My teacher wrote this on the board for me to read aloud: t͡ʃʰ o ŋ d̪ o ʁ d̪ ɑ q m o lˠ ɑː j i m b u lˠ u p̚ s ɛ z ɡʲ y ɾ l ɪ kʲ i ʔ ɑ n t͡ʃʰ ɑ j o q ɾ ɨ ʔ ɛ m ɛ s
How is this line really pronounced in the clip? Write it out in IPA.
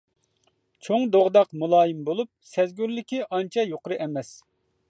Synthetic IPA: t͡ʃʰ o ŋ d̪ o ʁ d̪ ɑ q m u lˠ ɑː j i m b o lˠ u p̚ s ɛ z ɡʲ y ɾ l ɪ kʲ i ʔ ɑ n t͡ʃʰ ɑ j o q ɾ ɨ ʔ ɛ m ɛ s